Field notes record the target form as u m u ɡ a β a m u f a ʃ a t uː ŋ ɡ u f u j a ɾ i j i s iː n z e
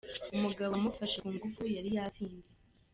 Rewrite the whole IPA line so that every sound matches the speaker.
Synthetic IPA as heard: u m u ɡ a β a m u f a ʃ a k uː ŋ ɡ u f u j a ɾ i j a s iː n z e

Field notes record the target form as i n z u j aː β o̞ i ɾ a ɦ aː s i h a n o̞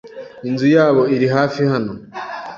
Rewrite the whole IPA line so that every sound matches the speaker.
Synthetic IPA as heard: i n z u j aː β o̞ i ɾ i ɦ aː f i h a n o̞

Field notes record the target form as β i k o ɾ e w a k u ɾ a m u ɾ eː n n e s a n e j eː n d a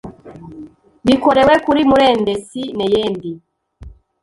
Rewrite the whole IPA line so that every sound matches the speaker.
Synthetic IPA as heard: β i k o ɾ e w e k u ɾ i m u ɾ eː n d e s i n e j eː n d i

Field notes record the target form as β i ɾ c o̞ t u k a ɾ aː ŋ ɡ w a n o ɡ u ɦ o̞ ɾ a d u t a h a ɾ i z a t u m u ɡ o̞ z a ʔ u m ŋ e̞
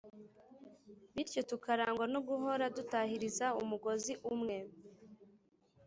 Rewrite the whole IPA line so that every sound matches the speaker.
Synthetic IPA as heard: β i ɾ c o̞ t u k a ɾ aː ŋ ɡ w a n o ɡ u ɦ o̞ ɾ a d u t a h i ɾ i z a u m u ɡ o̞ z i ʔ u m ŋ e̞

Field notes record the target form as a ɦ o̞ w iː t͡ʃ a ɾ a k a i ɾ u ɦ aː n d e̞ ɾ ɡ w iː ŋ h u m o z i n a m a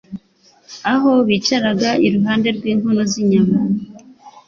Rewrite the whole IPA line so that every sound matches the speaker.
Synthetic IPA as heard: a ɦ o̞ β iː t͡ʃ a ɾ a ɡ a i ɾ u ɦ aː n d e̞ ɾ ɡ w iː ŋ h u n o z i ɲ a m a

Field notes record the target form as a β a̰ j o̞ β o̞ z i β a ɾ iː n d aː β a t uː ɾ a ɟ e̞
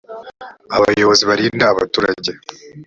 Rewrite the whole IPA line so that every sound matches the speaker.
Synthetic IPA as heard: a β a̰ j o̞ β o̞ z i β a ɾ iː n d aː β a t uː ɾ a ɟ e̞

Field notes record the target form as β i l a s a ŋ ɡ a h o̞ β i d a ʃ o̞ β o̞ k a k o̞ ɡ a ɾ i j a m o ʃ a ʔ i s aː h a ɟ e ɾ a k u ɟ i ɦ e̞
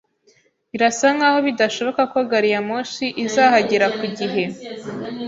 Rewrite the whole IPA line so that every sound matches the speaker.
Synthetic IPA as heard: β i ɾ a s a ŋ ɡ a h o̞ β i d a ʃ o̞ β o̞ k a k o̞ ɡ a ɾ i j a m o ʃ i ʔ i z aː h a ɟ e ɾ a k u ɟ i ɦ e̞

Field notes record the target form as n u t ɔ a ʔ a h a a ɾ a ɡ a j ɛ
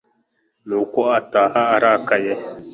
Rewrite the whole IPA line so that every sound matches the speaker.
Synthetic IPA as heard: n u k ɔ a t a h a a ɾ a k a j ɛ

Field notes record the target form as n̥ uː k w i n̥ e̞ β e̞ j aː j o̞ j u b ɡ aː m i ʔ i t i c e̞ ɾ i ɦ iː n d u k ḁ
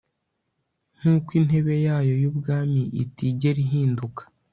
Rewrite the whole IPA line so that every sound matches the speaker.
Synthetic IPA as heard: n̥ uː k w i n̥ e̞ β e̞ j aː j o̞ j u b ɡ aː m i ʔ i t i ɟ e̞ ɾ i ɦ iː n d u k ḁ

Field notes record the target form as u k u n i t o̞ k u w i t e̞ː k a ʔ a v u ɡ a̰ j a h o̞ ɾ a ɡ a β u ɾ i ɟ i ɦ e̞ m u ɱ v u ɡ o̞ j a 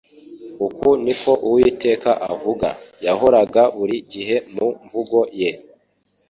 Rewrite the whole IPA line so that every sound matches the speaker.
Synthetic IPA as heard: u k u n i k o̞ ʔ u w i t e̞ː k a ʔ a v u ɡ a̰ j a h o̞ ɾ a ɡ a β u ɾ i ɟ i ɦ e̞ m u ɱ v u ɡ o̞ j e

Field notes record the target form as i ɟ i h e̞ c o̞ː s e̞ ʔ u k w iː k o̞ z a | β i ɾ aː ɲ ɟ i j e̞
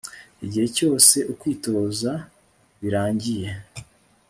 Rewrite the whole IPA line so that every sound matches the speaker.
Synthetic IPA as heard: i ɟ i h e̞ c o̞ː s e̞ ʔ u k w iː t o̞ z a | β i ɾ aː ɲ ɟ i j e̞

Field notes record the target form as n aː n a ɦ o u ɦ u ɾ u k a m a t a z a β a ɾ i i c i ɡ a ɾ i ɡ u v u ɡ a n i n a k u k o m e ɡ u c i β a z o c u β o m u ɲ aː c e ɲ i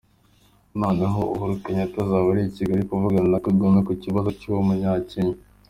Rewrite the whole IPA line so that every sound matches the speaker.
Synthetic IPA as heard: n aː n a ɦ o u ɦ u ɾ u k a ɲ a t a z a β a ɾ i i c i ɡ a ɾ i k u v u ɡ a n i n a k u ɡ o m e k u c i β a z o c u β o m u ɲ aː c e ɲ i

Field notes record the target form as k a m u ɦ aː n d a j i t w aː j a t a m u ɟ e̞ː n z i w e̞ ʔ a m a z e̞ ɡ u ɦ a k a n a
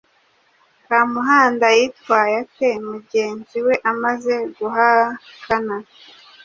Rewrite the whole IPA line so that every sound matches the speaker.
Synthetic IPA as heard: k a m u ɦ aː n d a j i t w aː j a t e m u ɟ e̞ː n z i w e̞ ʔ a m a z e̞ ɡ u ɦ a k a n a

